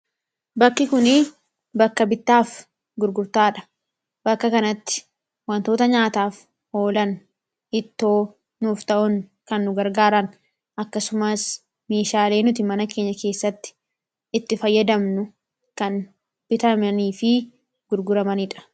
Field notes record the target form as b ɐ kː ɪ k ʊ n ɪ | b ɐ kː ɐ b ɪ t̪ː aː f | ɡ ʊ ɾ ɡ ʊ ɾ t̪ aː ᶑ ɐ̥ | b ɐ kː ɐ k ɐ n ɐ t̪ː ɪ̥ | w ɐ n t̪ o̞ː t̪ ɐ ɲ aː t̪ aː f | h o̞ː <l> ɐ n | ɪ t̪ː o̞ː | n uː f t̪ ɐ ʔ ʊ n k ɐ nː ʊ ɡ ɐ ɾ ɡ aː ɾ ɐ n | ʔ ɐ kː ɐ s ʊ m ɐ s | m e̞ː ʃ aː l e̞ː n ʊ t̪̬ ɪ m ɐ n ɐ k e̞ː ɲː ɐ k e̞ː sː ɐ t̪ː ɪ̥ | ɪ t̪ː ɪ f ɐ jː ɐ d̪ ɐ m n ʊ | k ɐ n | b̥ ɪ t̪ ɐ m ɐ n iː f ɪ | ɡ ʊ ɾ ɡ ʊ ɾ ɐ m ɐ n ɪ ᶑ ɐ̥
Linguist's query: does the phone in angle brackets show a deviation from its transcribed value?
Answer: no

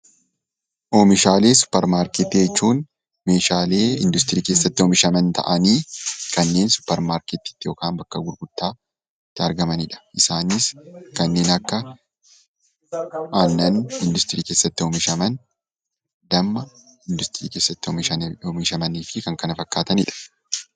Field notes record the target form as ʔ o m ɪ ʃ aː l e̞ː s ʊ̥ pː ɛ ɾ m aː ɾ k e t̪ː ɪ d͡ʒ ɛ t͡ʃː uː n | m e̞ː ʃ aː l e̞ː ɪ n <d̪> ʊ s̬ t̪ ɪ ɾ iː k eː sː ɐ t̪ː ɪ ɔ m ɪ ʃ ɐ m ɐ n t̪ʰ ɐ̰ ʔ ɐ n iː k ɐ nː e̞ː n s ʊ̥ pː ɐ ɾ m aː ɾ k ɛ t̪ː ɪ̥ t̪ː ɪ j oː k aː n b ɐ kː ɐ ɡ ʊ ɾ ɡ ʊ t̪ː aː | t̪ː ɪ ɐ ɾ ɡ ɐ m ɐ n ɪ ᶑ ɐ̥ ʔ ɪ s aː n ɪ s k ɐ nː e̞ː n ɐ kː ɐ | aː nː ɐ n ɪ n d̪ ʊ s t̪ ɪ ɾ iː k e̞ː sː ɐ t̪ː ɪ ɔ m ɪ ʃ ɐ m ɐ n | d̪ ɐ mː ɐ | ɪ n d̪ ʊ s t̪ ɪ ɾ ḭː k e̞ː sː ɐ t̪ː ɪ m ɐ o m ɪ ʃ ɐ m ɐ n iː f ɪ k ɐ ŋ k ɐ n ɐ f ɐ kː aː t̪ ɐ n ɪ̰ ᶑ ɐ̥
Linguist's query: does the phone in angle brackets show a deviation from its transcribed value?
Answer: no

